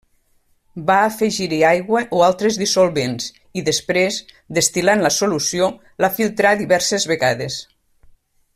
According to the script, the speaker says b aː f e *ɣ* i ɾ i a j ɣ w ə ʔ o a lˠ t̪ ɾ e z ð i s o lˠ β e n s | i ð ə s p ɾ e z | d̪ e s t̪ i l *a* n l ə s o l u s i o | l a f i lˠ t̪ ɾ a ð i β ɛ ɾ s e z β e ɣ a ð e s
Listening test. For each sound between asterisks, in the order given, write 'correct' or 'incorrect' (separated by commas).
incorrect, correct